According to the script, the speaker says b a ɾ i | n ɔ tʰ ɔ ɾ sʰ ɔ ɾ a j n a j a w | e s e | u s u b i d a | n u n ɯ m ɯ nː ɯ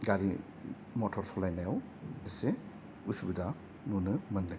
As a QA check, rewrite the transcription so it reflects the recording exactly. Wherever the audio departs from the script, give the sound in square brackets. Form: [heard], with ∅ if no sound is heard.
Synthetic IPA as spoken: [ɡ] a ɾ i | [m] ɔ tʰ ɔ ɾ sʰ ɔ [l] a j n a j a w | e s e | u s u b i d a | n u n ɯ m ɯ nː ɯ